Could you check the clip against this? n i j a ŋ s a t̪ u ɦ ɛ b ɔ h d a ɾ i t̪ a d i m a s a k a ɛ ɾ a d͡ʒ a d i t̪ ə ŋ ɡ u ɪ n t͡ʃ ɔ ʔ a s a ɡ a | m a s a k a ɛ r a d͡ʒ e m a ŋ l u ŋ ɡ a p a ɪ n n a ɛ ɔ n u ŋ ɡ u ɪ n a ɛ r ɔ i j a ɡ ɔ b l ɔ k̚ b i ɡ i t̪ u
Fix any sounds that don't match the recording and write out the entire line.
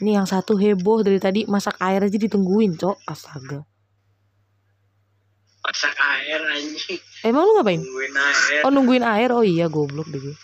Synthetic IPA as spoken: n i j a ŋ s a t̪ u ɦ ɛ b ɔ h d a ɾ i t̪ a d i m a s a k a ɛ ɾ a d͡ʒ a d i t̪ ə ŋ ɡ u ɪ n t͡ʃ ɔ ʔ a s a ɡ a | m a s a k a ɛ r a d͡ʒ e m a ŋ l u ŋ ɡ a p a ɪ n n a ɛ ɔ n u ŋ ɡ u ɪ n a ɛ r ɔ i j a ɡ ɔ b l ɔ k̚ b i ɡ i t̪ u